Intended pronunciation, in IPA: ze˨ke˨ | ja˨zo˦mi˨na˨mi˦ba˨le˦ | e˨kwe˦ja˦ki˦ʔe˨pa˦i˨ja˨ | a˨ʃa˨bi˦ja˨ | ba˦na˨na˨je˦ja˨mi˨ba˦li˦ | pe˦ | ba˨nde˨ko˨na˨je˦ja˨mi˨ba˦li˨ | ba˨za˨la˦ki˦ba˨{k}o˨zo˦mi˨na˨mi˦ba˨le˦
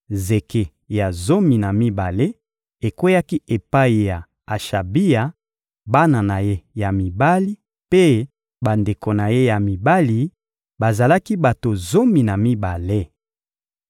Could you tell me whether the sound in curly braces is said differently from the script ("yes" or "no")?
yes